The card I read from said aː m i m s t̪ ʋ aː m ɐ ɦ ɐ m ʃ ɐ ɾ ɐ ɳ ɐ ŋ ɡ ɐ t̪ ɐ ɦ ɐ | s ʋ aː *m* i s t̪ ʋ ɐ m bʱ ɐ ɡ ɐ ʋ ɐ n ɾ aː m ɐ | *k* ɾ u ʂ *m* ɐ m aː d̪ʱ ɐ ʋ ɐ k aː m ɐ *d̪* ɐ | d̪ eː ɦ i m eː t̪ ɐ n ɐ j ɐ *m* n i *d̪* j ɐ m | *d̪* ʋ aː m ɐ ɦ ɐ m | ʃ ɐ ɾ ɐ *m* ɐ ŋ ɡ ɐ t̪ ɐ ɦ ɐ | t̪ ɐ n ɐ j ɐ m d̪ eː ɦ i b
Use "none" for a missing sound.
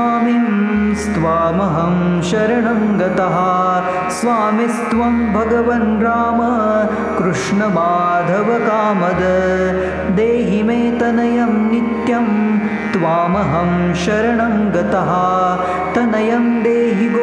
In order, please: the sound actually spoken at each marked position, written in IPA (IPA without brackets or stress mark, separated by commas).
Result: m, k, ɳ, d̪, m, t̪, t̪, ɳ